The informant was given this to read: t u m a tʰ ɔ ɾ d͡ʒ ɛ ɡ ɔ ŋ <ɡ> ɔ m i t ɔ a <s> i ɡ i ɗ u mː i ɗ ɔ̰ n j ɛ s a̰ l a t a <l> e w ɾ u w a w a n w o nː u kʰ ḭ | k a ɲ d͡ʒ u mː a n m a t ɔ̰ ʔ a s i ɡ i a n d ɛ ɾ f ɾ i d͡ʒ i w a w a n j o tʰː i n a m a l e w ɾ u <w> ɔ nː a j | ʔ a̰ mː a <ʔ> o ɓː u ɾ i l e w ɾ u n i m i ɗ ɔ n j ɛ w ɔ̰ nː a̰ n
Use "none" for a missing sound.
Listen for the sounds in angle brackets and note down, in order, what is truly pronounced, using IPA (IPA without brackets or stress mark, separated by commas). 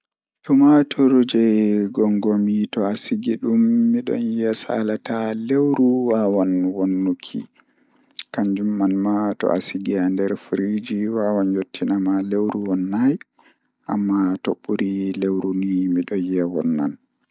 ɡ, s, l, w, t